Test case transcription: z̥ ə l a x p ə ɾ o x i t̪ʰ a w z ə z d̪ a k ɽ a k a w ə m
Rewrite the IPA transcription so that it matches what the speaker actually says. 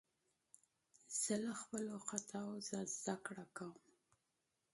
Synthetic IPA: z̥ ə l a x p ə l o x a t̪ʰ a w z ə z d̪ a k ɽ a k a w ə m